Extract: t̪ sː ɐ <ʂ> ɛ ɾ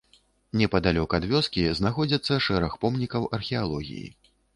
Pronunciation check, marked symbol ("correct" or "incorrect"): correct